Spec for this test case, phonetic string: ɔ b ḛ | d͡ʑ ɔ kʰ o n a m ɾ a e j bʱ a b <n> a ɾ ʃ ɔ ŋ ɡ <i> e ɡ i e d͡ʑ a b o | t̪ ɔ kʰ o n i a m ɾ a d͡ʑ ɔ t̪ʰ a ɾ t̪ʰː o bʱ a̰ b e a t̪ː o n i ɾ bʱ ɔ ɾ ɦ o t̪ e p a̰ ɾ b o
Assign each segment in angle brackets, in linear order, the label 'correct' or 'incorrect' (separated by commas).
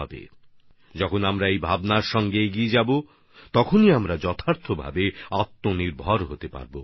correct, incorrect